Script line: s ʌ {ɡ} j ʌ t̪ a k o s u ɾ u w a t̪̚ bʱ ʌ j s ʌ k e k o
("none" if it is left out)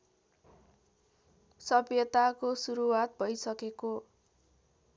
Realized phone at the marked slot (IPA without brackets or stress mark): b